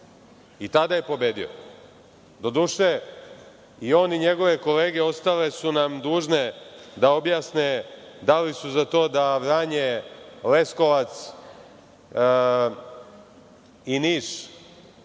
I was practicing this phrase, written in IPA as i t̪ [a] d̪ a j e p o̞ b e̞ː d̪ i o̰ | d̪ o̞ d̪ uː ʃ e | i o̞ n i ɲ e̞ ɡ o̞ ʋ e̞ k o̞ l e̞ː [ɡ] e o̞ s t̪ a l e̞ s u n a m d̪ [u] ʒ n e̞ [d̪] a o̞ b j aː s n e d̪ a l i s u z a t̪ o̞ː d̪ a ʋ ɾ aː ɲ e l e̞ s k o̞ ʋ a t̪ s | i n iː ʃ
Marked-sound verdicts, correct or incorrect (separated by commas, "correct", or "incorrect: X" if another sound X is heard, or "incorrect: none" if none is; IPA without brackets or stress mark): correct, correct, incorrect: uː, correct